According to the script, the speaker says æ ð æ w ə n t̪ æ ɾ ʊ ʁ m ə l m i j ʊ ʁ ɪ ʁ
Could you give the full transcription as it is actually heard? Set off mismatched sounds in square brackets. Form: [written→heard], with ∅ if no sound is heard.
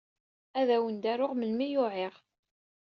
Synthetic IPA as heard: æ ð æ w ə n [t̪→d̪] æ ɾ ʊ ʁ m ə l m i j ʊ [ʁ→ʕ] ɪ ʁ